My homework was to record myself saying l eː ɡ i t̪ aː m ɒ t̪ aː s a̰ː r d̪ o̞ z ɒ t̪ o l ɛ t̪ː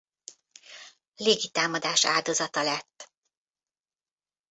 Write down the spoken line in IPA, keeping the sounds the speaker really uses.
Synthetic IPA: l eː ɡ i t̪ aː m ɒ d̪ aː ʃ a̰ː l d̪ o̞ z ɒ t̪ ɒ l ɛ t̪ː